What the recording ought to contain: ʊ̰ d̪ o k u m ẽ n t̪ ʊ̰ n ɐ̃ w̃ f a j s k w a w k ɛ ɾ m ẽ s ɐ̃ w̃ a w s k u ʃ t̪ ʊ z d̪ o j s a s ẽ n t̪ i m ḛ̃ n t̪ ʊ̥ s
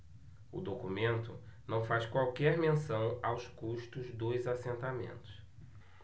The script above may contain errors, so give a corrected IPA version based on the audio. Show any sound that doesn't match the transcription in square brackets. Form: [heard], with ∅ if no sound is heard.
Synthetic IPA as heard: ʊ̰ d̪ o k u m ẽ n t̪ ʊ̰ n ɐ̃ w̃ f a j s k w a w k ɛ ɾ m ẽ s ɐ̃ w̃ a w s k u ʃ t̪ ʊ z d̪ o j [z] a s ẽ n t̪ [a] m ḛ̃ n t̪ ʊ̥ s